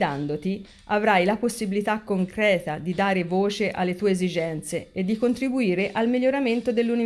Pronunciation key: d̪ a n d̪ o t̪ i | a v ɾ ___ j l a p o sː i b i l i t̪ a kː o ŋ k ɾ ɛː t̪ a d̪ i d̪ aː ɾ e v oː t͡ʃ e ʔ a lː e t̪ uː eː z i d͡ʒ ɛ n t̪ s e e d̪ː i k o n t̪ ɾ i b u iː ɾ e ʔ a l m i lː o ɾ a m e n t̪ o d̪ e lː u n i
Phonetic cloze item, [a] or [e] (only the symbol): a